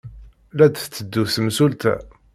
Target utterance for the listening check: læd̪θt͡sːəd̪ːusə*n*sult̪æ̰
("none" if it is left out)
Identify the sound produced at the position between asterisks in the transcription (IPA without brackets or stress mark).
m